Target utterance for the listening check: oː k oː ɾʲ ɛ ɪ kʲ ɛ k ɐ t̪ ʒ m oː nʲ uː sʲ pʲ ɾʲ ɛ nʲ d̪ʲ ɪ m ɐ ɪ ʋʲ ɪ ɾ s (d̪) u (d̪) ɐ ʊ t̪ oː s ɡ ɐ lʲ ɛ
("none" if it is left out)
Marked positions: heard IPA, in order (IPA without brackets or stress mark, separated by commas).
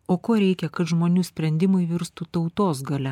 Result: t̪, t̪